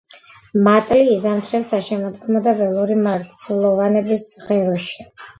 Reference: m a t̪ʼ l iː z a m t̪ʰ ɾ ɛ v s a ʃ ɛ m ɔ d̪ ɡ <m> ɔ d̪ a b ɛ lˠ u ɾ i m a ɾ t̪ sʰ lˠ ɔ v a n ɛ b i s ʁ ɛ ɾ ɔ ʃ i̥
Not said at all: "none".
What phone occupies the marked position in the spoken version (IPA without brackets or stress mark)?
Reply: m